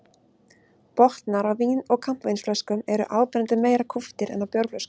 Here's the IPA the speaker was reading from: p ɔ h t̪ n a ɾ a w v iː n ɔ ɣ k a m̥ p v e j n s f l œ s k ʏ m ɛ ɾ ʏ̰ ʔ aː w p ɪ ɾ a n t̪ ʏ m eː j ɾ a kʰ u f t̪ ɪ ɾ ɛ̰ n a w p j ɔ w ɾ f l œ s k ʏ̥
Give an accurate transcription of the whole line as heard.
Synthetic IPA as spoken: p ɔ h t̪ n a ɾ a w v iː n ɔ ɣ kʰ a m̥ p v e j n s f l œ s k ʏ m ɛ ɾ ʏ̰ ʔ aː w p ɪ ɾ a n t̪ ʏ m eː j ɾ a kʰ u f t̪ ɪ ɾ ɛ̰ n a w p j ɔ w ɾ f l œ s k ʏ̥

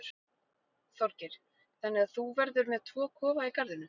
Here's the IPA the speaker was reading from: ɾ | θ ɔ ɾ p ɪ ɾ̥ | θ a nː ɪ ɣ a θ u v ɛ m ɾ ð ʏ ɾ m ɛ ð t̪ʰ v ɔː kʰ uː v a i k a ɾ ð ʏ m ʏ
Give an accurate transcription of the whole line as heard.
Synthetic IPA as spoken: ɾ | θ ɔ ɾ c ɪ ɾ̥ | θ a nː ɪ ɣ a θ u v ɛ ɾ ð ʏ ɾ m ɛ ð t̪ʰ v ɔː kʰ ɔː v a i k a ɾ ð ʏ n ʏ

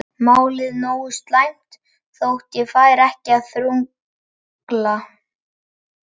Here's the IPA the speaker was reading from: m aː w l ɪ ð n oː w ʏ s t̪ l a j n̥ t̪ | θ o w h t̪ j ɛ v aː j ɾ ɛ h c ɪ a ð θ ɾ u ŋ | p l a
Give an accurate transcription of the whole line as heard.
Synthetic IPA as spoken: m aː w l ɪ ð n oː w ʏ s t̪ l a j m̥ t̪ | θ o w h t̪ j ɛ f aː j ɾ ɛ h c ɪ a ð θ ɾ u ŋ | k l a

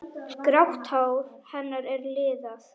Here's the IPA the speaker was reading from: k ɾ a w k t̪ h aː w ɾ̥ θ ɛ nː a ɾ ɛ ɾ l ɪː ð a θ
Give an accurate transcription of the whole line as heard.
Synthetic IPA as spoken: k ɾ a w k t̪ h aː w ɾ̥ h ɛ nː a ɾ ɛ ɾ l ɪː ð a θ

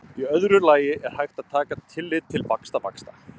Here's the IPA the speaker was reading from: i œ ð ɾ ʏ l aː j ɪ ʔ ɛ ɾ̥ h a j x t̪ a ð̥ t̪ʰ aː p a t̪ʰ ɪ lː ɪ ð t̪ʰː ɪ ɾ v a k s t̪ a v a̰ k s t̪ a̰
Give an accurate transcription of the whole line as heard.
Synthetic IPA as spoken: i œ ð ɾ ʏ l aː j ɪ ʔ ɛ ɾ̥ h a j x t̪ a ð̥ t̪ʰ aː k a t̪ʰ ɪ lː ɪ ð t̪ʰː ɪ l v a k s t̪ a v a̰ k s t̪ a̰

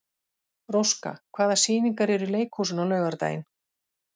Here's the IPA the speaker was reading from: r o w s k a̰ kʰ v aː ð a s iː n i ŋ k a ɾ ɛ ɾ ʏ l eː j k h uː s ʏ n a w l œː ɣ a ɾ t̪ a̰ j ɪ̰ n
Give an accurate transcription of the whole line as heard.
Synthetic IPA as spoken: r o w s k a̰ kʰ v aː ð a s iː n i ŋ k a ɾ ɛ ɾ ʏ l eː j k h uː s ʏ n a w l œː ɣ a ɾ t̪ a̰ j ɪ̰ n

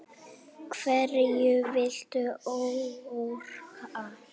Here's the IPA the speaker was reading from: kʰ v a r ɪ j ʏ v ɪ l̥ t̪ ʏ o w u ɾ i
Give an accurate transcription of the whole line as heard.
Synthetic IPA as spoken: kʰ v ɛ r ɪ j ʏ v ɪ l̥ t̪ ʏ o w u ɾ a

